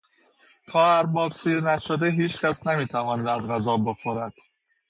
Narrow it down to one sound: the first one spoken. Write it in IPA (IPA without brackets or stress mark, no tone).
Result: t̪ʰ